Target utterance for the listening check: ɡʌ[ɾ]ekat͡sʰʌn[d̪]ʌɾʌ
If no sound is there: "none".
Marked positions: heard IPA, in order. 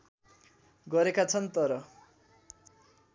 ɾ, t̪

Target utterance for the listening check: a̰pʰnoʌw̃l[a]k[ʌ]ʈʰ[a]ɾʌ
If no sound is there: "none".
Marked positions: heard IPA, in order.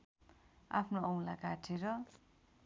a, a, e

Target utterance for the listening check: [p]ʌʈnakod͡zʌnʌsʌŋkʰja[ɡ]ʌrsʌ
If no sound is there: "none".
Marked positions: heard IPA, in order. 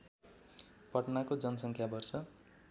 p, b

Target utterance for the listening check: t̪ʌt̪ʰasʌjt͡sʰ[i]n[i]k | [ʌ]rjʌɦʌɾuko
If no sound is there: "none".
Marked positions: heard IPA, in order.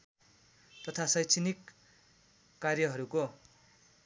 i, i, a

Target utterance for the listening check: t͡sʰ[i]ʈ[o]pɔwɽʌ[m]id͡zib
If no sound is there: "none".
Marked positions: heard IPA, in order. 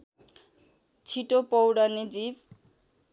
i, o, n

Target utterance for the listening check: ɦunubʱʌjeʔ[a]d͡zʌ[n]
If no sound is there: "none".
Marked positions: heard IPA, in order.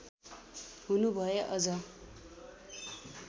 ʌ, none

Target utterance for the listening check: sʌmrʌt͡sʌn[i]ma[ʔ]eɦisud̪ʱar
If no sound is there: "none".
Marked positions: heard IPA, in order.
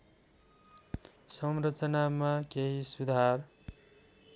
a, k

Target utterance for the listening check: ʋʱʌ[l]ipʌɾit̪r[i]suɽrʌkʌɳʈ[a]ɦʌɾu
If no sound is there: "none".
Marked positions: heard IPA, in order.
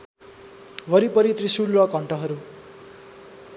ɾ, i, ʌ

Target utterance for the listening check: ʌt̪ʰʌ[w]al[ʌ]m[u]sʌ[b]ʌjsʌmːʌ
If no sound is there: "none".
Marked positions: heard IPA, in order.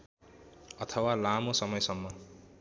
w, a, o, m

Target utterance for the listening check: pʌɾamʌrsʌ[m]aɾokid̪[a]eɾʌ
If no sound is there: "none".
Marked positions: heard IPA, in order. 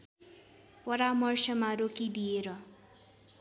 m, i

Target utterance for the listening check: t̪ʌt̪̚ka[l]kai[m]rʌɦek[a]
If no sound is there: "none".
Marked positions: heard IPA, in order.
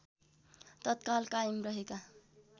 l, m, a

